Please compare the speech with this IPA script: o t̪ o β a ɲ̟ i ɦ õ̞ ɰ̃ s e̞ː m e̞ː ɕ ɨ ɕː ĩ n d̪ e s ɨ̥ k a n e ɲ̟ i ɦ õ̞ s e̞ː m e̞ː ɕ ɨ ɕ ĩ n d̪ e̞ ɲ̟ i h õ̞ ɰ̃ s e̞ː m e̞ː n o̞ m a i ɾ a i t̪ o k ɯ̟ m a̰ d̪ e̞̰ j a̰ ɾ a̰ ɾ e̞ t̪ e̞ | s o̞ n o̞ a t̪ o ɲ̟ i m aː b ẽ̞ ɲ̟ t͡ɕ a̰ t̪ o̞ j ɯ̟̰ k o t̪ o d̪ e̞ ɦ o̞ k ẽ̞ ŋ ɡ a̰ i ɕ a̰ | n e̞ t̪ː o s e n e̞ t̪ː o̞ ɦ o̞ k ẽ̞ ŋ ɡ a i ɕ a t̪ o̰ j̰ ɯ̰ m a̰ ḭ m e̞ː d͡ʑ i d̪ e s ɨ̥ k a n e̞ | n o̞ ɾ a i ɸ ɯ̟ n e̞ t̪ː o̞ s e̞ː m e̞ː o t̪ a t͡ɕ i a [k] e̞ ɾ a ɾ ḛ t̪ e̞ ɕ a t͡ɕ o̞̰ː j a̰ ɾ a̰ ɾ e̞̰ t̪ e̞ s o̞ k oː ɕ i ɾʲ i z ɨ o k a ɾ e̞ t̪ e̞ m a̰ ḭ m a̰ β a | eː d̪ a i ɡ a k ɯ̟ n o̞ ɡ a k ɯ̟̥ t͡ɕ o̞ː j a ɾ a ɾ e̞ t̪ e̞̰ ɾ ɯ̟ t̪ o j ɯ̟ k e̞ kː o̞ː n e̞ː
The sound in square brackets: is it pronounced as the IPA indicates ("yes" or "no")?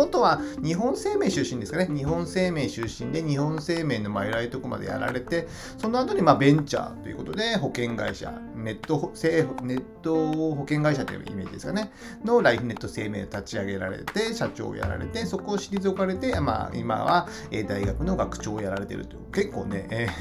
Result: no